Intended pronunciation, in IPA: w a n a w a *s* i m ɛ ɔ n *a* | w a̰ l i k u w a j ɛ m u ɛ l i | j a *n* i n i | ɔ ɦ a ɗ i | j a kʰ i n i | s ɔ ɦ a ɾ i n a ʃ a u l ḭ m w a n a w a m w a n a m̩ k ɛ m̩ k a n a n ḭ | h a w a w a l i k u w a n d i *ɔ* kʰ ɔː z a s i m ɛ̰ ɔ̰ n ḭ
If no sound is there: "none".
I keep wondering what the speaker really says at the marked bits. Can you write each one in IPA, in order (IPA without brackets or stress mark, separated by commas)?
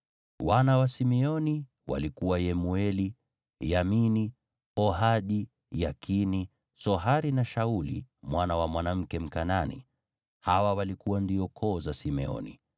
s, i, m, ɔ